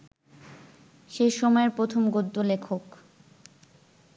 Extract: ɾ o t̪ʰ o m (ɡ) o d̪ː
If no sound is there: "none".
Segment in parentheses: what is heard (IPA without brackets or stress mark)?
ɡ